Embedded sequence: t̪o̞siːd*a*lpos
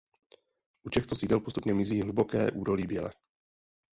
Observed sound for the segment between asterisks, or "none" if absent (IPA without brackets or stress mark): ɛ